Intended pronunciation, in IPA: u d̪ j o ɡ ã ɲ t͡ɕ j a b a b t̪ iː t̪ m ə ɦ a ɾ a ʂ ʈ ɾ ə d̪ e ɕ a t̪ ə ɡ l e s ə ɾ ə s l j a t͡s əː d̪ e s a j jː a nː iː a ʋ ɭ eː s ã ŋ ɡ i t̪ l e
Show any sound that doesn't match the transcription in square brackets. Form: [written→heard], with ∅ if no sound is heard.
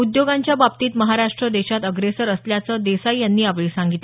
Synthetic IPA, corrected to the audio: u d̪ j o ɡ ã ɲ t͡ɕ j a b a b t̪ iː t̪ m ə ɦ a ɾ a ʂ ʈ ɾ ə d̪ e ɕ a t̪ ə ɡ [l→ɾ] e s ə ɾ ə s l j a t͡s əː d̪ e s a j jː a nː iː a ʋ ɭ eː s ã ŋ ɡ i t̪ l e